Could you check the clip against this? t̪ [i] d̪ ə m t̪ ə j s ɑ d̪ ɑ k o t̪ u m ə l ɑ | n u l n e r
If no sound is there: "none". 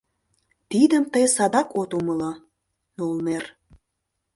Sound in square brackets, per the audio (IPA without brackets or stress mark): i